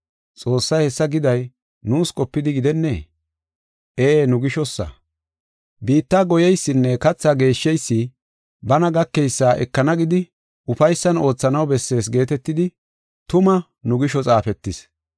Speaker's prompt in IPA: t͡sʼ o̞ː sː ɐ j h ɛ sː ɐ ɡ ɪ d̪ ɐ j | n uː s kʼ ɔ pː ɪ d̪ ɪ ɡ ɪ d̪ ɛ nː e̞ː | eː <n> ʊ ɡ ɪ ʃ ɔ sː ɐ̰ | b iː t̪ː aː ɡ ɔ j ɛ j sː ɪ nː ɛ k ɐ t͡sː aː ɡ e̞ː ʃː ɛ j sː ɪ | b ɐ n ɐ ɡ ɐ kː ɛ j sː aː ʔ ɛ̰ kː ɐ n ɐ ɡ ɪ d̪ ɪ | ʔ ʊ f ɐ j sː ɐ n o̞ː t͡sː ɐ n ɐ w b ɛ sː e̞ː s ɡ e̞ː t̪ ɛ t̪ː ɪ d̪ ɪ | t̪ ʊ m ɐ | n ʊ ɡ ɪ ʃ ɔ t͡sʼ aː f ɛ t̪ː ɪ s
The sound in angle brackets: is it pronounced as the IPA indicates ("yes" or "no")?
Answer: yes